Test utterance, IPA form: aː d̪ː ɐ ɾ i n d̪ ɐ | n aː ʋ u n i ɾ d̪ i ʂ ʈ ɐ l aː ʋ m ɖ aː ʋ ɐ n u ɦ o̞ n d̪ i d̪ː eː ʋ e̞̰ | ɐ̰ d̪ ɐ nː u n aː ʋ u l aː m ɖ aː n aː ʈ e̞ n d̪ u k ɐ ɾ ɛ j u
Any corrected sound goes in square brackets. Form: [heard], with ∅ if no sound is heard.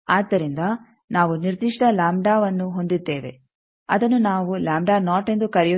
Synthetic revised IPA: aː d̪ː ɐ ɾ i n d̪ ɐ | n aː ʋ u n i ɾ d̪ i ʂ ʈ ɐ l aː [∅] m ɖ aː ʋ ɐ [nː] u ɦ o̞ n d̪ i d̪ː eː ʋ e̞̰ | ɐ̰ d̪ ɐ nː u n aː ʋ u l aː m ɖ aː n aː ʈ e̞ n d̪ u k ɐ ɾ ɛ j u